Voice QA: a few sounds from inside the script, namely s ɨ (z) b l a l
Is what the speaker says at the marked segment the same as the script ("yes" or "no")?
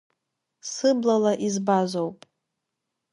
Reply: no